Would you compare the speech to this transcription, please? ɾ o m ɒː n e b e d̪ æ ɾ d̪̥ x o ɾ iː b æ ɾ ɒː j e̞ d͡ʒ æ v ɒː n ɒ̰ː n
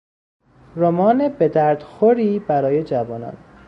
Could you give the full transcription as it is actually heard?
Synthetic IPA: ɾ o m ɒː n e b e d̪ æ ɾ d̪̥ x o ɾ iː b æ ɾ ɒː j e̞ d͡ʒ æ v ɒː n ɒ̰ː n